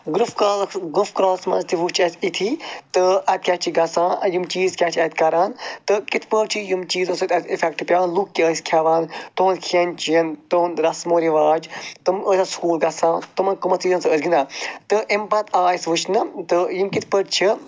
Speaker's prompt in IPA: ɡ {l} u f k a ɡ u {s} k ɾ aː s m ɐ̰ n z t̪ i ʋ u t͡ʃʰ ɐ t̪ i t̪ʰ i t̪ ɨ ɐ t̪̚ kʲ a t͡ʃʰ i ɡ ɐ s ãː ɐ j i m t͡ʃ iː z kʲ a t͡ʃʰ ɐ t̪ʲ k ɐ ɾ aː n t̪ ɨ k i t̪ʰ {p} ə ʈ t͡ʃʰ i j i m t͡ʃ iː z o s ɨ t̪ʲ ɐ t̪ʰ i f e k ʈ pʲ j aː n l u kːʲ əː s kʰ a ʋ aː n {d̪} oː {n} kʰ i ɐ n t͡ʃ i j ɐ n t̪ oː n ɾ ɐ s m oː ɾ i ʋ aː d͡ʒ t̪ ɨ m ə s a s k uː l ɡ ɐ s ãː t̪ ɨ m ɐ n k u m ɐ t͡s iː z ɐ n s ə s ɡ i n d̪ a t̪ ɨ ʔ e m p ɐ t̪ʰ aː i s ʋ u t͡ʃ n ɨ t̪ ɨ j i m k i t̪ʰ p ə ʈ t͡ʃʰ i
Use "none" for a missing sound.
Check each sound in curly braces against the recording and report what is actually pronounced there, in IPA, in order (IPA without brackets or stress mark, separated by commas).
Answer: ɾ, f, p, t̪, n